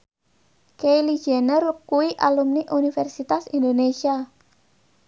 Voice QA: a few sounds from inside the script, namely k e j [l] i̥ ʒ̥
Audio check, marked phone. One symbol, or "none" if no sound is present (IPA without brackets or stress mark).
l